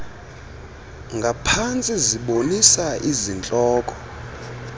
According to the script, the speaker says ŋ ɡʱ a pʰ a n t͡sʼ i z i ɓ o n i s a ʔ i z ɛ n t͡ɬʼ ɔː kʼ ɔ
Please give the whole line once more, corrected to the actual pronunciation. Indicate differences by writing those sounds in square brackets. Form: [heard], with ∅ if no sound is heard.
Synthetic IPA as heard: ŋ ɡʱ a pʰ a n t͡sʼ i z i ɓ o n i s a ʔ i z [i] n t͡ɬʼ ɔː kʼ ɔ